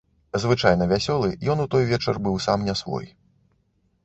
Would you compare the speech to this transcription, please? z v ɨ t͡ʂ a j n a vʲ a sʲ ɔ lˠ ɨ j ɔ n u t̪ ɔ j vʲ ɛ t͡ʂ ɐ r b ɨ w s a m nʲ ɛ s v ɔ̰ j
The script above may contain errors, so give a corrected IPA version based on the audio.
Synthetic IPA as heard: z v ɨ t͡ʂ a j n ɐ vʲ a sʲ ɔ lˠ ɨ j ɔ n u t̪ ɔ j vʲ ɛ t͡ʂ ɐ r b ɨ w s a m nʲ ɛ s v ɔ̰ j